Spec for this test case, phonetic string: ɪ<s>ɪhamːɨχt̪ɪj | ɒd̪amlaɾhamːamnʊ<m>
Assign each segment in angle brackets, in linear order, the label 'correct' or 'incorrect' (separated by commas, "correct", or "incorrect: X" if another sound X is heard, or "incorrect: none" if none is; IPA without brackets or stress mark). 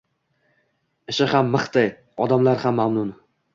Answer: incorrect: ʃ, incorrect: n